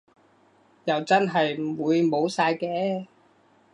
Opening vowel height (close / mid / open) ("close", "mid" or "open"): open